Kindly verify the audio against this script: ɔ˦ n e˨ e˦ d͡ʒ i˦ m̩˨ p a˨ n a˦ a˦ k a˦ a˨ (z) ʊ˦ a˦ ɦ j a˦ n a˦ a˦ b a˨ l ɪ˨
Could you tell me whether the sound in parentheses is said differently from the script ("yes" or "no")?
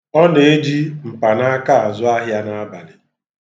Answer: no